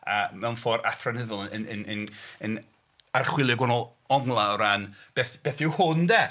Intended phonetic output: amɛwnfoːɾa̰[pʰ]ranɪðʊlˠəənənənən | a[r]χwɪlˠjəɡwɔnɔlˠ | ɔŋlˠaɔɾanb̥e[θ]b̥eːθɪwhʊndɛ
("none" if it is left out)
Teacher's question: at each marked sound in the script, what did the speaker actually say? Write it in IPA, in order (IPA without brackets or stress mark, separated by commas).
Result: tʰ, r, θ